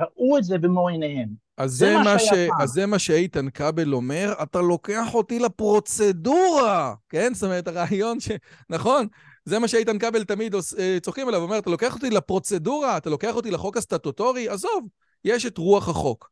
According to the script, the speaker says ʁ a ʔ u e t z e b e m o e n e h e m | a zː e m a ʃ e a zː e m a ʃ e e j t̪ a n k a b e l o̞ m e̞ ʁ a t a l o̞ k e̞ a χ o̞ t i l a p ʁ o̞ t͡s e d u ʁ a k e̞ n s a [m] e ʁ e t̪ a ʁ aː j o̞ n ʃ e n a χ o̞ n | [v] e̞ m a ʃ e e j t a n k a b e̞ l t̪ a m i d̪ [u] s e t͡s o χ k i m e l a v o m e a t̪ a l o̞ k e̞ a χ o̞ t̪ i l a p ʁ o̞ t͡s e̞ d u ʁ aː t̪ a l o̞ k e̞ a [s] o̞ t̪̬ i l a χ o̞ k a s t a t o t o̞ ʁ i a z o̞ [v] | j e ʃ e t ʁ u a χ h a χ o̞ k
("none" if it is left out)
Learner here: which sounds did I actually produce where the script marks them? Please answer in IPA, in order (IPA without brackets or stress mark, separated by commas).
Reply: m, z, o, χ, v